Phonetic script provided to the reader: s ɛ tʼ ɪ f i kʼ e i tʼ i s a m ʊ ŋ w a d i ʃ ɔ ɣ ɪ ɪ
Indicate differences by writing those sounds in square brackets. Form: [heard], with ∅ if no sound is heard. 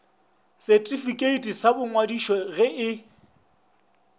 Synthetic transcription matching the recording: s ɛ tʼ [i] f i kʼ e i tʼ i s a [b] ʊ ŋ w a d i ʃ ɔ ɣ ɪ ɪ

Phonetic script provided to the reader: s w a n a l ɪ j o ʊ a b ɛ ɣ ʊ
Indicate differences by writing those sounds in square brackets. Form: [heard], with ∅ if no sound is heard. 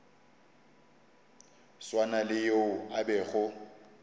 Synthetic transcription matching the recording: s w a n a l ɪ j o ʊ a b ɛ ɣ ʊ

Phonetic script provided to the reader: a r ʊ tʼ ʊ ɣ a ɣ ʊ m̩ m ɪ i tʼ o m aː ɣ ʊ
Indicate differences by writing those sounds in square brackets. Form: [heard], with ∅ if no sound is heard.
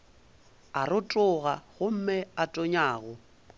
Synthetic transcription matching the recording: a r ʊ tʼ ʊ ɣ a ɣ ʊ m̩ m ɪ [a] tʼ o [ɲ] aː ɣ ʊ

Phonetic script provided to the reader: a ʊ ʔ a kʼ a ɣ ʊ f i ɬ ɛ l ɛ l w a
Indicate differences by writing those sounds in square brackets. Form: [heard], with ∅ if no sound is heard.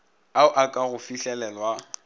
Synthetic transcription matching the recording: a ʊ ʔ a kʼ a ɣ ʊ f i ɬ ɛ l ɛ l w a

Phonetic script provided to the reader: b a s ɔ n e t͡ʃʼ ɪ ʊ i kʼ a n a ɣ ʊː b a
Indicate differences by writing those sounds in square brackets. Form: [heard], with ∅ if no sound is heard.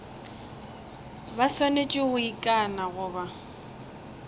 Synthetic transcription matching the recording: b a s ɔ n e t͡ʃʼ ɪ ʊ i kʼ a n a ɣ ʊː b a

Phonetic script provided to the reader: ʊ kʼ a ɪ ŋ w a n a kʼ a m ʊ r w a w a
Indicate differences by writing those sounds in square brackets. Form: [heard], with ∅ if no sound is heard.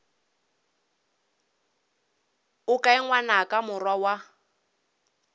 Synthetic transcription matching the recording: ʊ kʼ a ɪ ŋ w a n a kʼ a m ʊ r w a w a

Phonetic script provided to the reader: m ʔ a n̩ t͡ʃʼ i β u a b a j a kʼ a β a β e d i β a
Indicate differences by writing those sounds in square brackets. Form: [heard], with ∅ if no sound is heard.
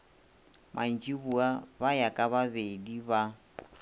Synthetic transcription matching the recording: m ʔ a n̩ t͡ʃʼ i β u a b a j a kʼ a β a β e d i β a

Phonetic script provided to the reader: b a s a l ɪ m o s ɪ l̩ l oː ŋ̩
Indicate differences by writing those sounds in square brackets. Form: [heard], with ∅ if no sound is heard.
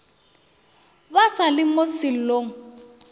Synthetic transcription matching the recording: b a s a l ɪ m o s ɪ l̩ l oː ŋ̩

